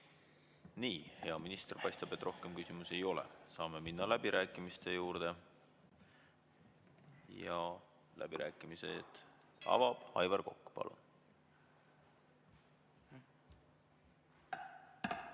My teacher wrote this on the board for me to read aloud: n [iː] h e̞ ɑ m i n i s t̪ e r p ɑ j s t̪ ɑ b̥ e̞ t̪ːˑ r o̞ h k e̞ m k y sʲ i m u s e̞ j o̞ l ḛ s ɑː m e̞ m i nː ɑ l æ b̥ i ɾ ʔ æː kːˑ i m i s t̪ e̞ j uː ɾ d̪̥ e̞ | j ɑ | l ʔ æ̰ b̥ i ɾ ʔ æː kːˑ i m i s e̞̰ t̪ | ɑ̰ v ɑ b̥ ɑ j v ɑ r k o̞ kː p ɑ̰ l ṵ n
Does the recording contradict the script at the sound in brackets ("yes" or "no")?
no